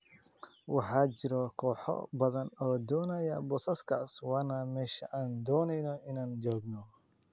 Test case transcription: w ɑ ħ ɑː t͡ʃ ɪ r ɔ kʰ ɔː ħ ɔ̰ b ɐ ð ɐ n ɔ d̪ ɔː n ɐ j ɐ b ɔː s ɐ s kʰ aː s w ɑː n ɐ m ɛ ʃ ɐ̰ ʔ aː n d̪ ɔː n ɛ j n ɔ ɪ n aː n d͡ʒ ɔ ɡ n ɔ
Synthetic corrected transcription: w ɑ ħ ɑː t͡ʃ ɪ ɾ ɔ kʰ ɔː ħ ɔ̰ b ɐ ð ɐ n ɔː d̪ ɔː n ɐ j ɐ b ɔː s ɐ s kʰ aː s w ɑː n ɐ m ɛː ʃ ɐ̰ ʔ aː n d̪ ɔː n ɛ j n ɔ ɪ n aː n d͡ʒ ɔː ɡ n ɔ